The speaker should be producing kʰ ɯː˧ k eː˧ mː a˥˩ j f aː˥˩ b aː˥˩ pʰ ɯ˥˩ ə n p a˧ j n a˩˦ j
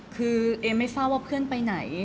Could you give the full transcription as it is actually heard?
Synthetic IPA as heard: kʰ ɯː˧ ʔ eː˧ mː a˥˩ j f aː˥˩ w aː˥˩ pʰ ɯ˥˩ ə n p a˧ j n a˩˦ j